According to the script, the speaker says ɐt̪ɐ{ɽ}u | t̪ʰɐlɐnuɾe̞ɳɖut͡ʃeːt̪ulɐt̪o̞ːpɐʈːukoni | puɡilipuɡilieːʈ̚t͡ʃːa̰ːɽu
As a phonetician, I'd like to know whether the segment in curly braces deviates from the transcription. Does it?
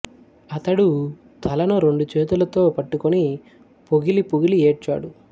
no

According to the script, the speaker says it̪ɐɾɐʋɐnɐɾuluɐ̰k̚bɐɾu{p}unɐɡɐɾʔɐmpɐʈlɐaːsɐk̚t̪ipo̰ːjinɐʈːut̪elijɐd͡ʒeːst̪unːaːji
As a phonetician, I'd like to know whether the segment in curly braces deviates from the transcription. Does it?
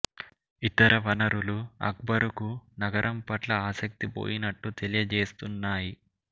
yes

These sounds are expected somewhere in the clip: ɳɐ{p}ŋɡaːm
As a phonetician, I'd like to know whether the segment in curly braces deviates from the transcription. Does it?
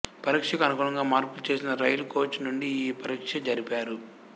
yes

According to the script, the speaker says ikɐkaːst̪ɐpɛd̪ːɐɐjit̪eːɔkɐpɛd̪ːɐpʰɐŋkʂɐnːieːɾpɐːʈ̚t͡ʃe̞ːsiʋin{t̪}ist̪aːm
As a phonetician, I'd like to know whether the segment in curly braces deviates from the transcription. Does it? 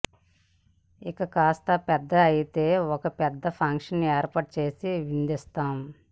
yes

